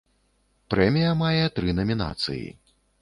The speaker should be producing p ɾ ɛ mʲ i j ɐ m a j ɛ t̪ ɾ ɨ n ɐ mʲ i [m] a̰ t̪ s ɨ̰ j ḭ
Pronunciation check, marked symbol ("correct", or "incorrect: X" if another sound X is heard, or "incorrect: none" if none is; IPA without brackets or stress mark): incorrect: n